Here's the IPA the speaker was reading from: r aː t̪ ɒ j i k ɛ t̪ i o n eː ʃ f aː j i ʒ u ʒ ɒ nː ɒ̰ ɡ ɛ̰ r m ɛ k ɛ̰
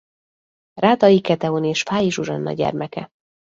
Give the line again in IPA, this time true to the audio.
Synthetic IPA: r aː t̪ ɒ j i k ɛ t̪ ɛ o n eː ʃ f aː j i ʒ u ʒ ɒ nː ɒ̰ ɟ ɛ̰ r m ɛ k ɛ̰